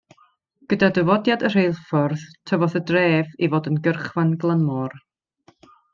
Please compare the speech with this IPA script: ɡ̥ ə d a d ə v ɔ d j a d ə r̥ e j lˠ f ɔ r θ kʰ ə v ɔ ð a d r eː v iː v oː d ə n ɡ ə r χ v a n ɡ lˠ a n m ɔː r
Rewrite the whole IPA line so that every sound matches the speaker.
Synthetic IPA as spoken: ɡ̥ ə d a d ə v ɔ d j a d ə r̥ e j lˠ f ɔ r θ tʰ ə v ɔ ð ə d r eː v i v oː d ə n ɡ ə r χ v a n ɡ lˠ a n m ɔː r